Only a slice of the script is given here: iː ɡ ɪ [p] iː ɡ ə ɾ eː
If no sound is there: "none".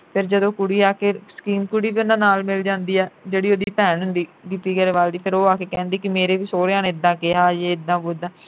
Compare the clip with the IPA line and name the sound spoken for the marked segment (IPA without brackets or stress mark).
p